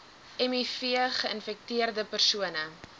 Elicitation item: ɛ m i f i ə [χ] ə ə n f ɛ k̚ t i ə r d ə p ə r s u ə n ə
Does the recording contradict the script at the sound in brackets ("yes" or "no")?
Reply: no